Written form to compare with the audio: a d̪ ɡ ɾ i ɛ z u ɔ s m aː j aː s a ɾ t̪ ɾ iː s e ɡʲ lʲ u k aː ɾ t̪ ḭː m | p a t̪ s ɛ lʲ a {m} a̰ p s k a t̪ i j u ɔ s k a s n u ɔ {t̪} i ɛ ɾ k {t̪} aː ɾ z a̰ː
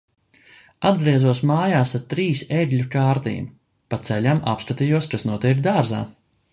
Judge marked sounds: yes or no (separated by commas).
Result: yes, yes, no